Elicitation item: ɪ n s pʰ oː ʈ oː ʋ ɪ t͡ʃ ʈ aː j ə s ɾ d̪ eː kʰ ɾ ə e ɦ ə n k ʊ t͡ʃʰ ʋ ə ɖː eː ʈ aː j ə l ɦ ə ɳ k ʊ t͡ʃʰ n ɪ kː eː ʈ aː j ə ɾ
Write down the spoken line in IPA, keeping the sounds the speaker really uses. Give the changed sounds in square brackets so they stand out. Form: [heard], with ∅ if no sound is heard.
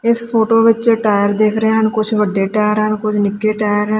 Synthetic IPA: ɪ [∅] s pʰ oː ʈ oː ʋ ɪ t͡ʃ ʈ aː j ə [∅] ɾ d̪ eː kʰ ɾ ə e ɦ ə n k ʊ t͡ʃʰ ʋ ə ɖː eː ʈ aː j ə [ɾ] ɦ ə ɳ k ʊ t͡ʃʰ n ɪ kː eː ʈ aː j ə ɾ